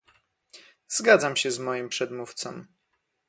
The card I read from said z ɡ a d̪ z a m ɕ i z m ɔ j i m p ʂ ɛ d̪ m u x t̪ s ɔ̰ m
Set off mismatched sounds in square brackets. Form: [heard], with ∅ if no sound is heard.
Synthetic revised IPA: z ɡ a d̪ z a m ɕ [ɛ] z m ɔ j i m p ʂ ɛ d̪ m u [f] t̪ s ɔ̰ m